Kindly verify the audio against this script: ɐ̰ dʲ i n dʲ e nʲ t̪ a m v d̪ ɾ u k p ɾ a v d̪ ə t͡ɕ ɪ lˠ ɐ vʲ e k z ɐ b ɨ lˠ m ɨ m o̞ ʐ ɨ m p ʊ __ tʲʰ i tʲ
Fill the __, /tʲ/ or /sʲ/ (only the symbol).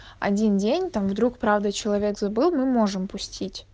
sʲ